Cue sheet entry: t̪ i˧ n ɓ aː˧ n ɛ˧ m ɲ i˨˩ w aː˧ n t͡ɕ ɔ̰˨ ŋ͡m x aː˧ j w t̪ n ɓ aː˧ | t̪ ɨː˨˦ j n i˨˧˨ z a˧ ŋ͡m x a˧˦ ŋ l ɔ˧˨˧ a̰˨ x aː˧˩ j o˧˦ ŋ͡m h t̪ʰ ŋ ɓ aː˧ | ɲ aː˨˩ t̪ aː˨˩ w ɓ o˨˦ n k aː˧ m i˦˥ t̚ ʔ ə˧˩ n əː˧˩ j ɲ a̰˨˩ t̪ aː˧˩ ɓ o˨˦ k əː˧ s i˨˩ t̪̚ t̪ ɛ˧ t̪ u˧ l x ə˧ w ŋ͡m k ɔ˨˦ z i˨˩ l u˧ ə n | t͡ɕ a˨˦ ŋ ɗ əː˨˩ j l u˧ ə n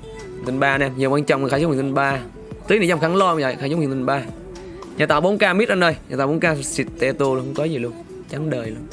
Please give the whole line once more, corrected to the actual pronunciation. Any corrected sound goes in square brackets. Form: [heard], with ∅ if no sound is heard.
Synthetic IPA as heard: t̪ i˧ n ɓ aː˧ n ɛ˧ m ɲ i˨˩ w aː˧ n t͡ɕ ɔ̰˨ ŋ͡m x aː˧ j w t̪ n ɓ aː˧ | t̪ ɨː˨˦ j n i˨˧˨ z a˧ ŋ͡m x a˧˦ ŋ l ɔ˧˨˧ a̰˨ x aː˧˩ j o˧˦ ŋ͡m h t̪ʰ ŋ ɓ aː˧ | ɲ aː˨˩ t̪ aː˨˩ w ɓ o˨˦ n k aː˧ m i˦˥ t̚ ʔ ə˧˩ n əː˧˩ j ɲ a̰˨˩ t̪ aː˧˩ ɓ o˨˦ k [aː˧] s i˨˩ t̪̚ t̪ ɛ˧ t̪ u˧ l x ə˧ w ŋ͡m k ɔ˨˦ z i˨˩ l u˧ ə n | t͡ɕ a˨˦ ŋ ɗ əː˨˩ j l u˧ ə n